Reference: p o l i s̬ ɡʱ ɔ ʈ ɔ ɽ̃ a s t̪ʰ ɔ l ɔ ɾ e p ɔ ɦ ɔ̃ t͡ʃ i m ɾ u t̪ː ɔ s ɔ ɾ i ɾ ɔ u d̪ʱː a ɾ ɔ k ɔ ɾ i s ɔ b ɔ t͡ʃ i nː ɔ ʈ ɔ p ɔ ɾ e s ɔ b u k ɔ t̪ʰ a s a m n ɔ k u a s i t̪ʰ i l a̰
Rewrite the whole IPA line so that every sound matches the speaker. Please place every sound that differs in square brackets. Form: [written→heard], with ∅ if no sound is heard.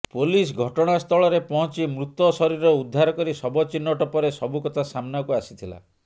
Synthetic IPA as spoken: p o l i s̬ ɡʱ ɔ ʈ ɔ ɽ̃ a s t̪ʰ ɔ [l→ɭ] ɔ ɾ e p ɔ ɦ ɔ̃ t͡ʃ i m ɾ u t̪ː ɔ s ɔ ɾ i ɾ ɔ u d̪ʱː a ɾ ɔ k ɔ ɾ i s ɔ b ɔ t͡ʃ i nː ɔ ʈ ɔ p ɔ ɾ e s ɔ b u k ɔ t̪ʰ a s a m n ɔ k u a s i t̪ʰ i l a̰